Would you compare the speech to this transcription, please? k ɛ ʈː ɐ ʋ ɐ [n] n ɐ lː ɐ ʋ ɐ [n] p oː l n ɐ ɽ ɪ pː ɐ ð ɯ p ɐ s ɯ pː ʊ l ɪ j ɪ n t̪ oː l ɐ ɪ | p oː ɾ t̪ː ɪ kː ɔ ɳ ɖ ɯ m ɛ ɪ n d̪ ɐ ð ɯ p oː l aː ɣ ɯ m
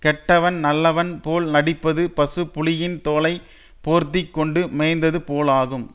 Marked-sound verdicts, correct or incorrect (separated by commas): correct, correct